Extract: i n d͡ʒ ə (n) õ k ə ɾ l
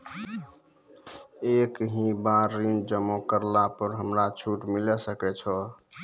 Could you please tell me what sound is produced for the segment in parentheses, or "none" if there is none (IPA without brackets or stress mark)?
m